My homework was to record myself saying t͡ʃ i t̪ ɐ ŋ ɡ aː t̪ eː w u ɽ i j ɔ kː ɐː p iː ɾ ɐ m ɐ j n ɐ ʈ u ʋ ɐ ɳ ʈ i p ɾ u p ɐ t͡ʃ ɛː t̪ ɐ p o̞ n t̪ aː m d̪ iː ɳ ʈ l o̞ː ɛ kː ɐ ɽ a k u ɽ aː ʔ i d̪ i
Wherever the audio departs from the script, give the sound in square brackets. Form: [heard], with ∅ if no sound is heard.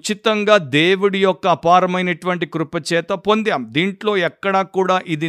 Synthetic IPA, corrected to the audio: t͡ʃ i t̪ ɐ ŋ ɡ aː [d̪] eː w u ɽ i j ɔ kː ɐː p [aː] ɾ ɐ m ɐ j n ɐ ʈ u ʋ ɐ ɳ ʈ i [k] ɾ u p ɐ t͡ʃ ɛː t̪ ɐ p o̞ n [d̪] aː m d̪ iː ɳ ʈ l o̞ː ɛ kː ɐ ɽ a k [uː] ɽ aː ʔ i d̪ i